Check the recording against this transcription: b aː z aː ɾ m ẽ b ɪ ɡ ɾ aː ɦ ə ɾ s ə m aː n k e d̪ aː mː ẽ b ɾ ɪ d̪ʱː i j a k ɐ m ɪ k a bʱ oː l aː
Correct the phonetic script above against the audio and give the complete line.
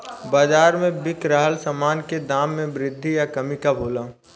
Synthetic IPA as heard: b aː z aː ɾ m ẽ b ɪ k ɾ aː ɦ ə l s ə m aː n k e d̪ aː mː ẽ b ɾ ɪ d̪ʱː i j a k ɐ m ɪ k a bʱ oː l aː